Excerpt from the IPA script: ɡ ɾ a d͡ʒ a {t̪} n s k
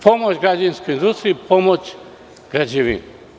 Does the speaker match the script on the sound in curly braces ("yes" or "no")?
no